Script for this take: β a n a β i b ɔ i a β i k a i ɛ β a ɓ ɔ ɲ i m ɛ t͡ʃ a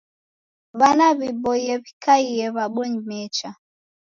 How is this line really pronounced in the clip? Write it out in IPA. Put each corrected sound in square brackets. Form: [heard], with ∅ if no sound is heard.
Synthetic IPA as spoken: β a n a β i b ɔ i [ɛ] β i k a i ɛ β a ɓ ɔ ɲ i m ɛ t͡ʃ a